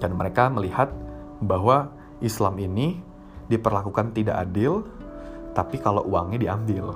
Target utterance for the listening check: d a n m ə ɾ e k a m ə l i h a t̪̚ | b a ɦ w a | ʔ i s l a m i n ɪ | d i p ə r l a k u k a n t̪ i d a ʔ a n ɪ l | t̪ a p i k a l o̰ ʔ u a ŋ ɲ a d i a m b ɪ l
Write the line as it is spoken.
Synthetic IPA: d a n m ə ɾ e k a m ə l i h a t̪̚ | b a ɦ w a | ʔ i s l a m i n i | d i p ə r l a k u k a n t̪ i d a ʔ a d ɪ l | t̪ a p i k a l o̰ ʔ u a ŋ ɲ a d i a m b ɪ l